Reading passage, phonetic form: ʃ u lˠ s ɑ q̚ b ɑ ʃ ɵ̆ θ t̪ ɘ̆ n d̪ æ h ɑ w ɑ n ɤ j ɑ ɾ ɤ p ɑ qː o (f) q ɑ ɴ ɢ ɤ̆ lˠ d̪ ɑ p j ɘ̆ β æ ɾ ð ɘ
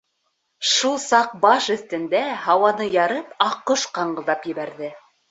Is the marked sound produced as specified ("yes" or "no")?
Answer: no